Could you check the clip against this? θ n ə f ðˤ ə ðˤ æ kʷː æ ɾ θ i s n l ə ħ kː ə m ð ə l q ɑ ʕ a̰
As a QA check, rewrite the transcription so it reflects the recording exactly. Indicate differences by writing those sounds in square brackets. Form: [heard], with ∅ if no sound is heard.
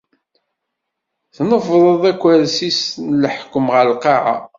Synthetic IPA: θ n ə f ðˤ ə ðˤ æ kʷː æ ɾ [s] i s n l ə ħ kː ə m [ʁ] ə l q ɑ ʕ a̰